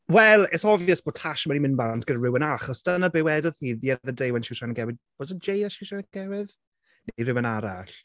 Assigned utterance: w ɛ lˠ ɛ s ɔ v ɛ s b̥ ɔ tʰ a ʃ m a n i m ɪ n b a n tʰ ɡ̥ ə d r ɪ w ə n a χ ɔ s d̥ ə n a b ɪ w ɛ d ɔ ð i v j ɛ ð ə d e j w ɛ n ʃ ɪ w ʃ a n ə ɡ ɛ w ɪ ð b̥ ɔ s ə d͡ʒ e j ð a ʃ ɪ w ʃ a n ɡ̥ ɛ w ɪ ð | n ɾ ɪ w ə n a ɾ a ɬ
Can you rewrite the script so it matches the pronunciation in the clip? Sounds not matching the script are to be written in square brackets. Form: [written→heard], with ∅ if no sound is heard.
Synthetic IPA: w ɛ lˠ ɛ s ɔ v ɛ s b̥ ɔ tʰ a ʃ m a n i m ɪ n b a n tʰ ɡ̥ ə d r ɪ w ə n a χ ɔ s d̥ ə n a b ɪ w ɛ d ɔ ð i [v→ð] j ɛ ð ə d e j w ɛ n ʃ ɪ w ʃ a n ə ɡ ɛ w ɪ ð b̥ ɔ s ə d͡ʒ e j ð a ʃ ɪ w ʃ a n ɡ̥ ɛ w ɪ ð | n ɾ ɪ w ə n a ɾ a ɬ